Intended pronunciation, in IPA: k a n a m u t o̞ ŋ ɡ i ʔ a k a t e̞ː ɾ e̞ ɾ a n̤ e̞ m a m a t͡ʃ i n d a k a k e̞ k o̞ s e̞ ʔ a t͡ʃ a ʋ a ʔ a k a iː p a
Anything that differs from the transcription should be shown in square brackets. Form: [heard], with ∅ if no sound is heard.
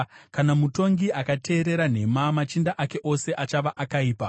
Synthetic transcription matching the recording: k a n a m u t o̞ ŋ ɡ i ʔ a k a t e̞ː ɾ e̞ ɾ a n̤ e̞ m a m a t͡ʃ i n d a [ʔ] a k e̞ [ʔ] o̞ s e̞ ʔ a t͡ʃ a ʋ a ʔ a k a iː p a